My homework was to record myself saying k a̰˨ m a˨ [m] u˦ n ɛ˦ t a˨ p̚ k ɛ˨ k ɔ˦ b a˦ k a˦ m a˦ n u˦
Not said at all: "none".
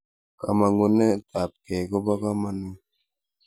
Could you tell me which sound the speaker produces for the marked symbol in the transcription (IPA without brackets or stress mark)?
ŋ